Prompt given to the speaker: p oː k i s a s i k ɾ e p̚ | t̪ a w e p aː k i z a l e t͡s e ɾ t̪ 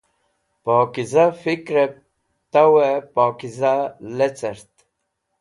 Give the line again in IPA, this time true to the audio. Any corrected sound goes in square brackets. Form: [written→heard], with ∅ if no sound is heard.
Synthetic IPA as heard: p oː k i [s→z] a [s→f] i k ɾ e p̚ | t̪ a w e p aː k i z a l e t͡s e ɾ t̪